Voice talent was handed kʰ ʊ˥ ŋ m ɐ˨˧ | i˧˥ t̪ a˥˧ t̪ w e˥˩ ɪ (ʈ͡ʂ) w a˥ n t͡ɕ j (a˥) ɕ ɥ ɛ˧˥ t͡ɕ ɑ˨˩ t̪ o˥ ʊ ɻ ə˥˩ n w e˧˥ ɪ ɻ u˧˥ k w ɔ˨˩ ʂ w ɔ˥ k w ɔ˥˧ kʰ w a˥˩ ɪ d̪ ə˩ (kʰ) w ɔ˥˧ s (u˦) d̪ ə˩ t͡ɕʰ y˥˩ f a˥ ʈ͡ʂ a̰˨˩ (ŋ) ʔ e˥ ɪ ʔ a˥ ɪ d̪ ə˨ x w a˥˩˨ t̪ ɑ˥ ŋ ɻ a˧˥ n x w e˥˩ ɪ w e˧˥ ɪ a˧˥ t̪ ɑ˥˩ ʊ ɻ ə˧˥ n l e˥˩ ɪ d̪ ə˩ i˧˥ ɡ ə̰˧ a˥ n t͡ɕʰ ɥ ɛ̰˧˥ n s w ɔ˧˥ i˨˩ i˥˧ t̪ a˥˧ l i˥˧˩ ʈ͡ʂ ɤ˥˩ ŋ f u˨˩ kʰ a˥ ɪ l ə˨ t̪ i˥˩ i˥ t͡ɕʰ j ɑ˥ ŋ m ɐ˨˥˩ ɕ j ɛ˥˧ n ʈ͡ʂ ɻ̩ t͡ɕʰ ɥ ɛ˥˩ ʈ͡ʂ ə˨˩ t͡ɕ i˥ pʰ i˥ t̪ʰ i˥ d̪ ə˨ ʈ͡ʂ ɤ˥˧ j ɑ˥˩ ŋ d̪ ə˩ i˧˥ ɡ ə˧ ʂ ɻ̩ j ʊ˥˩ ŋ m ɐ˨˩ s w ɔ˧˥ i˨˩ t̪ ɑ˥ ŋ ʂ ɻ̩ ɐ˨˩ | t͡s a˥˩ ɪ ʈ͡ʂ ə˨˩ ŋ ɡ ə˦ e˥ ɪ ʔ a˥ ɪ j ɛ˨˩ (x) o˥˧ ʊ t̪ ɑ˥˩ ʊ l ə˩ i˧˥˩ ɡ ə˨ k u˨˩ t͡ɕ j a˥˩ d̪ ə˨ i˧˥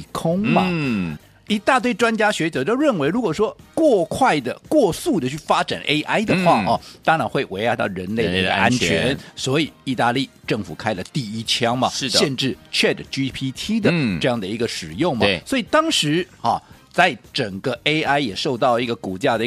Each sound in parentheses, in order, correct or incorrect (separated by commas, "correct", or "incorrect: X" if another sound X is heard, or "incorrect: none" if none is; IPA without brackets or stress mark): correct, correct, incorrect: k, incorrect: u˥˩, incorrect: n, incorrect: ʂ